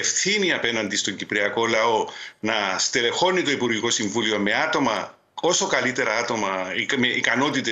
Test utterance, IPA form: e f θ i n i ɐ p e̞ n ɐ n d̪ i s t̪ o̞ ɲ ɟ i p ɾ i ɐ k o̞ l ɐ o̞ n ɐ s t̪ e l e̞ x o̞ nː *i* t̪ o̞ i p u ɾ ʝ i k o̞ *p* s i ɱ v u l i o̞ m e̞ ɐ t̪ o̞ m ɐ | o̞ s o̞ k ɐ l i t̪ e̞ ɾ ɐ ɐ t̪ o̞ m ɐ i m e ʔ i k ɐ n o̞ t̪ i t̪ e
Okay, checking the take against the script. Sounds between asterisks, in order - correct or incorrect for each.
correct, incorrect

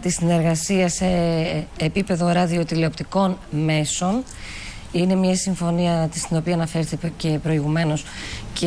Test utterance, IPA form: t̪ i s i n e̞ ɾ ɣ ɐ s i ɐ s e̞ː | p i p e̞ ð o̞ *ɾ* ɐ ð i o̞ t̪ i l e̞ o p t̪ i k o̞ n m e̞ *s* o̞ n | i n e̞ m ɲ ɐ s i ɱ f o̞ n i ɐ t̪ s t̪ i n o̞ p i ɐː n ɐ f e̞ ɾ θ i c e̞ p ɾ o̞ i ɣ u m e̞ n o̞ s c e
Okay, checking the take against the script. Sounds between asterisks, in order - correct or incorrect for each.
correct, correct

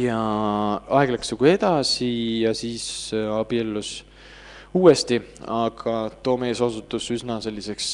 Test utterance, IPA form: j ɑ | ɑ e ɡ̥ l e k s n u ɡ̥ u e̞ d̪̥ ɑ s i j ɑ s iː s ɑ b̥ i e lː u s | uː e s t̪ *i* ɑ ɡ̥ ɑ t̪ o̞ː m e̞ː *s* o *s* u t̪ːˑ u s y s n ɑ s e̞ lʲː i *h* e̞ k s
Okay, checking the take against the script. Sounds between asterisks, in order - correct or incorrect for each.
correct, correct, correct, incorrect

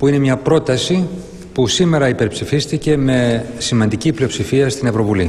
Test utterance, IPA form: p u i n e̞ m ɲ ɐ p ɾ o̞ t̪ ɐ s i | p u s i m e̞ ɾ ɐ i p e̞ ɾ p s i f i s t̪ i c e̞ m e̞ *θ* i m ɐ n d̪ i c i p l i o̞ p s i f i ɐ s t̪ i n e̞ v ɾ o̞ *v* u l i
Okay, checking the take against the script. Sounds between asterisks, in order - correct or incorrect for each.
incorrect, correct

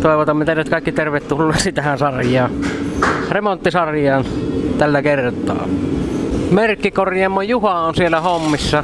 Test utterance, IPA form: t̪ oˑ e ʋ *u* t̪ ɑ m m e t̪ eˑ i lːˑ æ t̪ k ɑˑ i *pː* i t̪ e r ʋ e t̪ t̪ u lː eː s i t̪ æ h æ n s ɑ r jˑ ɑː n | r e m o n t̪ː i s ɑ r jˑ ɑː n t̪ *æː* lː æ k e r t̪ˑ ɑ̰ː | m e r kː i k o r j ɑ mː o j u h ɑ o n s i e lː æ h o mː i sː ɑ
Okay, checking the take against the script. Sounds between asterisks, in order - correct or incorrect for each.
incorrect, incorrect, incorrect

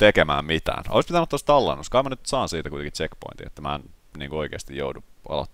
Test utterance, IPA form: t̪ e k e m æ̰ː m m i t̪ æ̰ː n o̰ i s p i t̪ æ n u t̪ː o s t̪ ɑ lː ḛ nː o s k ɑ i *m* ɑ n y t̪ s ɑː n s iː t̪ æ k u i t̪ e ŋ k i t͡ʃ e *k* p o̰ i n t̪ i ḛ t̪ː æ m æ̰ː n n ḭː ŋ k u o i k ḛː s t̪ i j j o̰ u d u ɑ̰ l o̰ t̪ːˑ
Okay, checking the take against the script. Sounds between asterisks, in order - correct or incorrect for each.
correct, correct

